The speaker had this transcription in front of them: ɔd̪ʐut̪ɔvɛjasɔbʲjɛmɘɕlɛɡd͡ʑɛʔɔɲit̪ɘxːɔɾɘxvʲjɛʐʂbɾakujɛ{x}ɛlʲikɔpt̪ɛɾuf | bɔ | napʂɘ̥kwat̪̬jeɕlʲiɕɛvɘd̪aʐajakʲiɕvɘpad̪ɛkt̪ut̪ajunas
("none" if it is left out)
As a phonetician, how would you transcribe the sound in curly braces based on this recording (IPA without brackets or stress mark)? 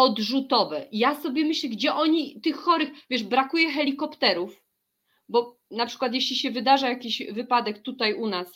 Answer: x